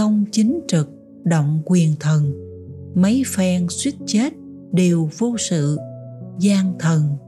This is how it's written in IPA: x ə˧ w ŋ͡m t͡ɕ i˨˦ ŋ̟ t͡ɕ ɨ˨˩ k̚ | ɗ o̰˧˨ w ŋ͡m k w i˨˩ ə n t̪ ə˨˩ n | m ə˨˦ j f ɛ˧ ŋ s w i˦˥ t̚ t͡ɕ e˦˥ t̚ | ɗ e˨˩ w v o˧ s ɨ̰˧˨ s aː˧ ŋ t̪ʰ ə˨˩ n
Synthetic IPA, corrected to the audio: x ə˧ w ŋ͡m t͡ɕ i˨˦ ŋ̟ t͡ɕ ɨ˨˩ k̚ | ɗ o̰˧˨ w ŋ͡m k w i˨˩ ə n t̪ʰ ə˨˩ n | m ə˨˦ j f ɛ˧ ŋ s w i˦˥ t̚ t͡ɕ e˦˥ t̚ | ɗ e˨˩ w v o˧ s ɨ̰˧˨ z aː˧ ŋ t̪ʰ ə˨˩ n